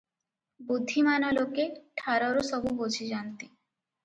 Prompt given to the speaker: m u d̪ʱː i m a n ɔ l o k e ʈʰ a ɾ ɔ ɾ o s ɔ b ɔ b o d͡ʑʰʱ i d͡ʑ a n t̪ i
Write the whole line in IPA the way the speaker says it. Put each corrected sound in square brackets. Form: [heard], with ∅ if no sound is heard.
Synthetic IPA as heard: [b] u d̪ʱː i m a n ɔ l o k e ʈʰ a ɾ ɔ ɾ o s ɔ b [u] b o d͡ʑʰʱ i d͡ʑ a n t̪ i

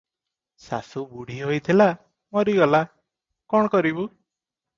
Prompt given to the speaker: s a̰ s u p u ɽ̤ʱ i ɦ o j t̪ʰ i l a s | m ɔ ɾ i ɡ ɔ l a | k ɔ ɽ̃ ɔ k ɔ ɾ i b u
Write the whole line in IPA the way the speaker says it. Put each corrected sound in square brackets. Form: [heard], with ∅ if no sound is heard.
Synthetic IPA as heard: s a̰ s u [b] u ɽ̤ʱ i ɦ o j t̪ʰ i l a [∅] | m ɔ ɾ i ɡ ɔ l a | k ɔ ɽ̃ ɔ k ɔ ɾ i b u

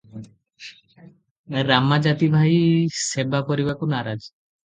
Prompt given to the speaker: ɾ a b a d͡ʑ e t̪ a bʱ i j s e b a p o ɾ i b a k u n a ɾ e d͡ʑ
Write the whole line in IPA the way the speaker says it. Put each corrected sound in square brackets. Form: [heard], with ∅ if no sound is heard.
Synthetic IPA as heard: ɾ a [m] a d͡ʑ [a] t̪ [i] bʱ [a] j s e b a p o ɾ i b a k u n a ɾ [a] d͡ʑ

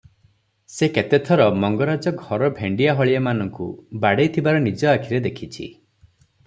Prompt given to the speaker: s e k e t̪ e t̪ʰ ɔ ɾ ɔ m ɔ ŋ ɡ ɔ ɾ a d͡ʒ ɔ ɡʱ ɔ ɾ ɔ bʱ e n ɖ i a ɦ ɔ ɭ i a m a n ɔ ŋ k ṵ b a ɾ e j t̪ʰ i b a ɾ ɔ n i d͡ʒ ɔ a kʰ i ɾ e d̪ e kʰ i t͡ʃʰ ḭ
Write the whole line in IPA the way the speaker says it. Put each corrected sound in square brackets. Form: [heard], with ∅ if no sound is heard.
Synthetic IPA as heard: s e k e t̪ e t̪ʰ ɔ ɾ ɔ m ɔ ŋ ɡ ɔ ɾ a d͡ʒ ɔ ɡʱ ɔ ɾ ɔ bʱ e [ɳ] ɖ i a ɦ ɔ ɭ i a m a n ɔ ŋ k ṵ b a [ɽ] e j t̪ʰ i b a ɾ ɔ n i d͡ʒ ɔ a kʰ i ɾ e d̪ e kʰ i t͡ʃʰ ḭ

